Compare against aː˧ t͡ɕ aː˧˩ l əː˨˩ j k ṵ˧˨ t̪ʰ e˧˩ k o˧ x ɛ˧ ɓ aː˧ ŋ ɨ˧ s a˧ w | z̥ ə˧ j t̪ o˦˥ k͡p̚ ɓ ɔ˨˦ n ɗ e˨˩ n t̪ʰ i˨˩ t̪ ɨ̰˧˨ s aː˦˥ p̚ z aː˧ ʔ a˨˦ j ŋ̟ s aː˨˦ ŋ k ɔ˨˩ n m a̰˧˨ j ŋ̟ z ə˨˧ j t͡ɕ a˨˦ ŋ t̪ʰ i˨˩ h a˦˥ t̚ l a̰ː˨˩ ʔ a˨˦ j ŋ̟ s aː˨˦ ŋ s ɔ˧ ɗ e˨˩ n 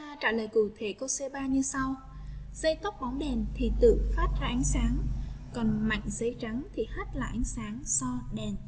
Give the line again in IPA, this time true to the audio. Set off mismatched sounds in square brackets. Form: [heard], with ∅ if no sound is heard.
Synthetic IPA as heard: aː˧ t͡ɕ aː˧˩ l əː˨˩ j k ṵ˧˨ t̪ʰ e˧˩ k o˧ [s] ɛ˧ ɓ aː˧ [ɲ] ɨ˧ s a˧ w | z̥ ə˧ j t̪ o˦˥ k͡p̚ ɓ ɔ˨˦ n ɗ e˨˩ n t̪ʰ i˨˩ t̪ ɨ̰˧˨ [f] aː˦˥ [t̚] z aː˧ ʔ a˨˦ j ŋ̟ s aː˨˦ ŋ k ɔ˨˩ n m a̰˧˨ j ŋ̟ z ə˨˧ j t͡ɕ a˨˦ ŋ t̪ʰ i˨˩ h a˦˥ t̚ l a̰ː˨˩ ʔ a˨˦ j ŋ̟ s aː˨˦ ŋ s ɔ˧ ɗ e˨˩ n

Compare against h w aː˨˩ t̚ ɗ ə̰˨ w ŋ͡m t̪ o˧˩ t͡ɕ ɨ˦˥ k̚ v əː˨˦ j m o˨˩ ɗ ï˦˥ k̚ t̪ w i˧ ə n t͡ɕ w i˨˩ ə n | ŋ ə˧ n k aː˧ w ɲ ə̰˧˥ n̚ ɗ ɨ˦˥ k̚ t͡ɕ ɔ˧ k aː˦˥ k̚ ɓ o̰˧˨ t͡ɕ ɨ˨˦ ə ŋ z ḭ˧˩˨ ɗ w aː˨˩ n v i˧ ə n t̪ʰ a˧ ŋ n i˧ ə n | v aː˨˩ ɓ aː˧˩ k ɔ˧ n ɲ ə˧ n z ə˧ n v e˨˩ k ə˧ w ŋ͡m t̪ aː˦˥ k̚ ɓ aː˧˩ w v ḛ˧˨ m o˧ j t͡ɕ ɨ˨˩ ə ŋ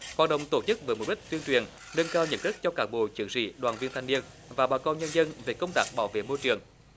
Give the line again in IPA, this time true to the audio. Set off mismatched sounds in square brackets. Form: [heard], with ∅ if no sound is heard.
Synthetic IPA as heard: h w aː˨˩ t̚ ɗ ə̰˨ w ŋ͡m t̪ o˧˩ t͡ɕ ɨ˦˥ k̚ v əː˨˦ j m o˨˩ ɗ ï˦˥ k̚ t̪ w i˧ ə n t͡ɕ w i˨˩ ə n | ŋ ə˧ n k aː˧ w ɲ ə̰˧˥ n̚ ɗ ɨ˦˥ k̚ t͡ɕ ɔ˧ k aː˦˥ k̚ ɓ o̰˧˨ t͡ɕ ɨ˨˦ ə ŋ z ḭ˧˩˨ ɗ w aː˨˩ n v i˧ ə n t̪ʰ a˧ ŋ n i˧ ə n | v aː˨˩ ɓ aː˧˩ k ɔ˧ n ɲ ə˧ n z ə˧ n v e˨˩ k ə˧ w ŋ͡m t̪ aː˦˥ k̚ ɓ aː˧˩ w v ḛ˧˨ m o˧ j t͡ɕ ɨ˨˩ ə ŋ

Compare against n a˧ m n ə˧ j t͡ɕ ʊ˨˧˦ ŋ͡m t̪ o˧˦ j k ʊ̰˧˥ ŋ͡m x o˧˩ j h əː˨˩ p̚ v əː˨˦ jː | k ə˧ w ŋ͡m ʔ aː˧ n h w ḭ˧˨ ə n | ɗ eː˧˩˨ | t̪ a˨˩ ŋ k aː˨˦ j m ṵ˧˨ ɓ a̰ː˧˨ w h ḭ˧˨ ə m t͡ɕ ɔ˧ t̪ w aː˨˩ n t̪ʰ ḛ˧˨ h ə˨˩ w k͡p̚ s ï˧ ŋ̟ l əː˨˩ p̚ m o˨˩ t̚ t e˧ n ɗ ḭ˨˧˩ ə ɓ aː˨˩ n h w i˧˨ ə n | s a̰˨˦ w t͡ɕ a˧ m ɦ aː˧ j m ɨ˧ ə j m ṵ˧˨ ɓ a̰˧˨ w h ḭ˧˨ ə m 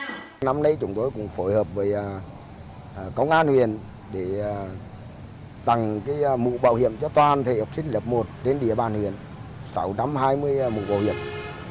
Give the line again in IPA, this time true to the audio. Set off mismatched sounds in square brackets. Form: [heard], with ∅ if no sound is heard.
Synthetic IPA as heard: n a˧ m n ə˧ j t͡ɕ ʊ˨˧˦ ŋ͡m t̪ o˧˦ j k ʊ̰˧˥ ŋ͡m [f] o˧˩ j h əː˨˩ p̚ v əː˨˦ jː | k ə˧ w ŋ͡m ʔ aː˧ n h w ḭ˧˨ ə n | ɗ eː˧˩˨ | t̪ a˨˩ ŋ k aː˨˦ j m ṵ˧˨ ɓ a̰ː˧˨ w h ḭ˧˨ ə m t͡ɕ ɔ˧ t̪ w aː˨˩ n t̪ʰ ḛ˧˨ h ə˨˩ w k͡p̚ s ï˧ ŋ̟ l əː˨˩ p̚ m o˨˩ t̚ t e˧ n ɗ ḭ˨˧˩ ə ɓ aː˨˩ n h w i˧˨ ə n | s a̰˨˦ w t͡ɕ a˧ m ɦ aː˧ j m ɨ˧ ə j m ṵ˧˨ ɓ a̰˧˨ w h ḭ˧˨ ə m

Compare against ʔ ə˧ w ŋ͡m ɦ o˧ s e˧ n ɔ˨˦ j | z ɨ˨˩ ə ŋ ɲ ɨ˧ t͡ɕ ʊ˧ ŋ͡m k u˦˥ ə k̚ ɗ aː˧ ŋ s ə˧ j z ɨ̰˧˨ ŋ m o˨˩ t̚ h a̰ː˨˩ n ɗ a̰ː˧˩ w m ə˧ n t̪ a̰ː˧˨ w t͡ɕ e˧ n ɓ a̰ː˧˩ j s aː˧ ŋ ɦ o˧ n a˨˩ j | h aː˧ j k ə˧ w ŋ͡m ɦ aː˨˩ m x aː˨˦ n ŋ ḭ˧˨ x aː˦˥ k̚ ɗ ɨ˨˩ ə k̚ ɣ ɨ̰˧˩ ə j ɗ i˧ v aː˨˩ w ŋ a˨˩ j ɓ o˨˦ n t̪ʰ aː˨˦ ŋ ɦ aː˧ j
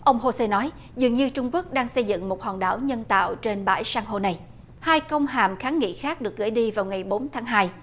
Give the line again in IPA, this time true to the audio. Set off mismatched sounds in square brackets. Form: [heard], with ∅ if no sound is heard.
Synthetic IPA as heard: ʔ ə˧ w ŋ͡m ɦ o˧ s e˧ n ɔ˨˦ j | z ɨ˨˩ ə ŋ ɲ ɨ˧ t͡ɕ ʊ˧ ŋ͡m k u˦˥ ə k̚ ɗ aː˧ ŋ s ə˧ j z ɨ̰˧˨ ŋ m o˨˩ t̚ h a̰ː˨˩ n ɗ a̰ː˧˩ w [ɲ] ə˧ n t̪ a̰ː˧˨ w t͡ɕ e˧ n ɓ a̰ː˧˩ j s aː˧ ŋ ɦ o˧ n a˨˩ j | h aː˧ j k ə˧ w ŋ͡m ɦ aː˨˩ m x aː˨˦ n ŋ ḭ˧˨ x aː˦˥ k̚ ɗ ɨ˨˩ ə k̚ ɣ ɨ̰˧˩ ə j ɗ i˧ v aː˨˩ w ŋ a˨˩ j ɓ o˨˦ n t̪ʰ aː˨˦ ŋ ɦ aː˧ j

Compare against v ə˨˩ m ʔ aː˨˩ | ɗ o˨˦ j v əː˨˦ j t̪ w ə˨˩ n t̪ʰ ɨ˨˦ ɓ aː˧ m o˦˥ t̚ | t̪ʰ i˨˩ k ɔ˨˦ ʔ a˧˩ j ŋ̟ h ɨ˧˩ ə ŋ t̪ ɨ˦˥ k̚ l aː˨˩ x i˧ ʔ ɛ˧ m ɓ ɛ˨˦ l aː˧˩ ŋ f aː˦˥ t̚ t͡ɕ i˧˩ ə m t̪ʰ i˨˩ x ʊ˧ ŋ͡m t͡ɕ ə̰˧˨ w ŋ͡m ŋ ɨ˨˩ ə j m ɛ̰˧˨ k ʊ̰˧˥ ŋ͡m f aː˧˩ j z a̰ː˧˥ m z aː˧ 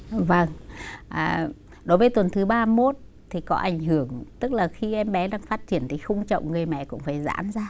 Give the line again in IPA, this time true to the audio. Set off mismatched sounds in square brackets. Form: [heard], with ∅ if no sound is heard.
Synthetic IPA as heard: v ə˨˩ [ŋ] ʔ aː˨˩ | ɗ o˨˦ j v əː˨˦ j t̪ w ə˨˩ n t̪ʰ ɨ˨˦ ɓ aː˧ m o˦˥ t̚ | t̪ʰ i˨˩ k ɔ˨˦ ʔ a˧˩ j ŋ̟ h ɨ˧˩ ə ŋ t̪ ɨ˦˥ k̚ l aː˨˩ x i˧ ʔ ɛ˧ m ɓ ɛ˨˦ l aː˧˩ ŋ f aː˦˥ t̚ t͡ɕ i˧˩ ə [n] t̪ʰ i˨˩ x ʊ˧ ŋ͡m t͡ɕ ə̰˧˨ w ŋ͡m ŋ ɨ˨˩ ə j m ɛ̰˧˨ k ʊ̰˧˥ ŋ͡m f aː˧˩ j z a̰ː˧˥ m z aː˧

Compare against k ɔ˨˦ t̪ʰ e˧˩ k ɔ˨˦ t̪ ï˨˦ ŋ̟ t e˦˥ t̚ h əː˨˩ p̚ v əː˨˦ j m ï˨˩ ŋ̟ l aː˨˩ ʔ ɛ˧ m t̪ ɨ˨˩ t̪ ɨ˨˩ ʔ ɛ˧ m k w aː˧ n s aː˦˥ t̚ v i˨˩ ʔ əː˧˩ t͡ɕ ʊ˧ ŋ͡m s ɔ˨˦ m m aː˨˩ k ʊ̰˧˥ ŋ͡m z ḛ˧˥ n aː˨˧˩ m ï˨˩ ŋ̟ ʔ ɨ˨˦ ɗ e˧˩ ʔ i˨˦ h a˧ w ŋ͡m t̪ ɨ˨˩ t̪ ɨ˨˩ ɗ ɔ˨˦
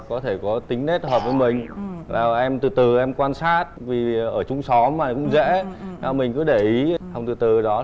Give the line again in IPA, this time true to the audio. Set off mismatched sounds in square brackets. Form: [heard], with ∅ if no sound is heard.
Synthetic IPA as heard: k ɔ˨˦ t̪ʰ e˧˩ k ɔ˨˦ t̪ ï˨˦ ŋ̟ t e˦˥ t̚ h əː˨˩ p̚ v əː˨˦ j m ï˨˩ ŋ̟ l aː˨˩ ʔ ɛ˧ m t̪ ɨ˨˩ t̪ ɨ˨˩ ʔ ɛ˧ m k w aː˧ n s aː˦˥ t̚ v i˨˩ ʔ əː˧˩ t͡ɕ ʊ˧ ŋ͡m s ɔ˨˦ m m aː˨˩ k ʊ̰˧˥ ŋ͡m z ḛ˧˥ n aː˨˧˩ m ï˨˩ ŋ̟ [k] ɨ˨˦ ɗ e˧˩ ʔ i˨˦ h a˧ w ŋ͡m t̪ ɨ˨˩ t̪ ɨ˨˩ ɗ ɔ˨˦

